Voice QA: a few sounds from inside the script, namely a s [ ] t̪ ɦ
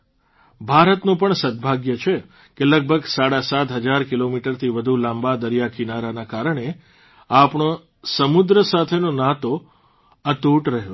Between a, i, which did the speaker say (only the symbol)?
a